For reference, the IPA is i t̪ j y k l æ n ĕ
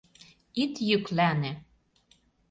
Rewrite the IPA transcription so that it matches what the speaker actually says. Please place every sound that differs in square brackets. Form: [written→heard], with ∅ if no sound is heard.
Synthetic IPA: i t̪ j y k l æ n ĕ

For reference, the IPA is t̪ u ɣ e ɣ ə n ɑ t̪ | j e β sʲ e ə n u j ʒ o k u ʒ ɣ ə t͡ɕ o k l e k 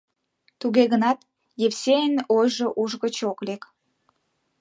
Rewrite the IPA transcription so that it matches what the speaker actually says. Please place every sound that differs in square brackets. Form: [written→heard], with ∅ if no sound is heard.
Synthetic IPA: t̪ u ɣ e ɣ ə n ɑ t̪ | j e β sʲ e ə n [u→o] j ʒ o [k→ʔ] u ʒ ɣ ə t͡ɕ o k l e k

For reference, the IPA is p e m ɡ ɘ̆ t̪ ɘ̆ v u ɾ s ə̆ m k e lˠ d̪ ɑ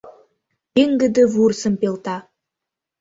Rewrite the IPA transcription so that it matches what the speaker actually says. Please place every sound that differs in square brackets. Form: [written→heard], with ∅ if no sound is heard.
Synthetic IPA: p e [m→ŋ] ɡ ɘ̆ [t̪→d̪] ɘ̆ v u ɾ s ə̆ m [k→p] e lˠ [d̪→t̪] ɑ

